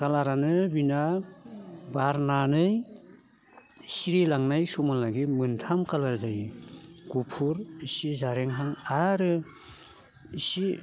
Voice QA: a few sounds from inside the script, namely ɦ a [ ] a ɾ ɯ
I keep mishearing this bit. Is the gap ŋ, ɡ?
ŋ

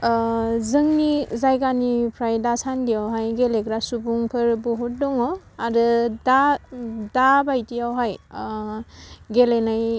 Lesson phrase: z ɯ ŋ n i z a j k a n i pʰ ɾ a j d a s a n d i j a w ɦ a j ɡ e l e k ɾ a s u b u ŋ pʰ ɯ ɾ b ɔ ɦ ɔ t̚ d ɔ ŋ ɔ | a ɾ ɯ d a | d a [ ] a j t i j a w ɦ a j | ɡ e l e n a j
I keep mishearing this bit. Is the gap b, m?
b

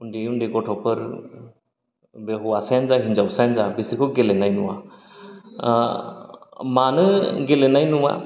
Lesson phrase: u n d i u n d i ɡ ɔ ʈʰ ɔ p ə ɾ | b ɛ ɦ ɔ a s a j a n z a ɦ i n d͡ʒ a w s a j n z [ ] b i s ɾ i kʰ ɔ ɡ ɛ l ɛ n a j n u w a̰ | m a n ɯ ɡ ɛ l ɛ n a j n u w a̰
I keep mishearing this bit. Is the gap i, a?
a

